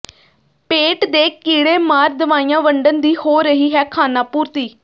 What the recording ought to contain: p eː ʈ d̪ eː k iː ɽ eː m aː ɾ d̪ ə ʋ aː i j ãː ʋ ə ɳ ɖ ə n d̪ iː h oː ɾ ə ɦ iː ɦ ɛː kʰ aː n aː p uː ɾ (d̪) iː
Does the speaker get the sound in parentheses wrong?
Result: yes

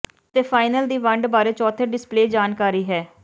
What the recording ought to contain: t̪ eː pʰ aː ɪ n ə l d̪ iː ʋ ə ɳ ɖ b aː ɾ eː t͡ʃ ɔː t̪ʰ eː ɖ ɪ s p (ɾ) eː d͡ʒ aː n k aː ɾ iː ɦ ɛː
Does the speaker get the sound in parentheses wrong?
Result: yes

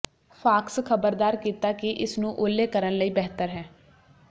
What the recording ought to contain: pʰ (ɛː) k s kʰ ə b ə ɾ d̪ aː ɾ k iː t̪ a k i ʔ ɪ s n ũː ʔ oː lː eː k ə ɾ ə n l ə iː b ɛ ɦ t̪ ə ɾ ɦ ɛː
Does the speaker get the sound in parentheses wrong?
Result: yes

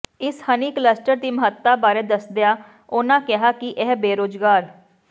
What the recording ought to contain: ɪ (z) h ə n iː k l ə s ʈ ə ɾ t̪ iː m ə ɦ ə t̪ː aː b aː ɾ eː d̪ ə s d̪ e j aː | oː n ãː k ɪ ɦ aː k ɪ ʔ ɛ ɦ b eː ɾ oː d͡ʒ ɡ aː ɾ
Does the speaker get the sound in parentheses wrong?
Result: yes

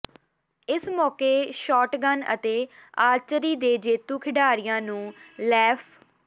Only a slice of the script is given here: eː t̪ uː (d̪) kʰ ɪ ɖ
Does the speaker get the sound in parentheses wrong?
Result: yes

